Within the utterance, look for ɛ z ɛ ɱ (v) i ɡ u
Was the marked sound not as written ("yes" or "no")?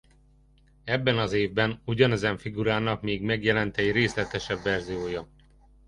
yes